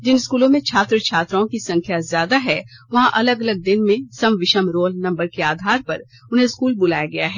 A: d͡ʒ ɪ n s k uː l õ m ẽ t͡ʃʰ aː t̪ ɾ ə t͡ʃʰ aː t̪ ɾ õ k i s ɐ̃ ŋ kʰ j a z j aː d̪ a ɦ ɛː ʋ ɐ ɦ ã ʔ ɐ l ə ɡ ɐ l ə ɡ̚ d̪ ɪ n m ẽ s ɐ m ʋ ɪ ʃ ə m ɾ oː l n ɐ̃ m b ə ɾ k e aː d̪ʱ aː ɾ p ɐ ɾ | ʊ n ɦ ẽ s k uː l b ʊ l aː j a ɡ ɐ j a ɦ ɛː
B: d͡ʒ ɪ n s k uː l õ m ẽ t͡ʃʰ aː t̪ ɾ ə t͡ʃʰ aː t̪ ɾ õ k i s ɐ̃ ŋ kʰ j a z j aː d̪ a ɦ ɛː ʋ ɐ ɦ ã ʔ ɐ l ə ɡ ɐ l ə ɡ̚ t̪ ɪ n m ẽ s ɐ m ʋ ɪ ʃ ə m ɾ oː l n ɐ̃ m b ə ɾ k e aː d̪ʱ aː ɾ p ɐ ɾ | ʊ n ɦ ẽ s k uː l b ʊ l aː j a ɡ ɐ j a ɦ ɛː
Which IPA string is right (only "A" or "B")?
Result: A